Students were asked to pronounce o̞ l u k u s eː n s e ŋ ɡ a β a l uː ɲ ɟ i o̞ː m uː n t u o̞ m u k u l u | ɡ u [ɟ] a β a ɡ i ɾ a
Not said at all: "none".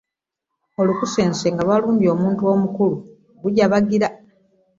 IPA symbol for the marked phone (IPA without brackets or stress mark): ɟ